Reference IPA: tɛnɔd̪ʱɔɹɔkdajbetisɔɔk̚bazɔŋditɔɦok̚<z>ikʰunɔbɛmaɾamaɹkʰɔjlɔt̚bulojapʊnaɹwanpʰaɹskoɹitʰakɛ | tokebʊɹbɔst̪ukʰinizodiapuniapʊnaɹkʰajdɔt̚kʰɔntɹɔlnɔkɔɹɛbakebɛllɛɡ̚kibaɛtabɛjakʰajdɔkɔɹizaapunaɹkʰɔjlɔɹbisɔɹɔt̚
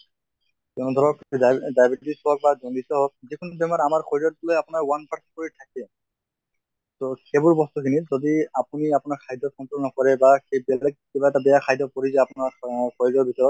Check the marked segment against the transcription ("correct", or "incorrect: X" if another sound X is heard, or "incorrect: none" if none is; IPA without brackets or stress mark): correct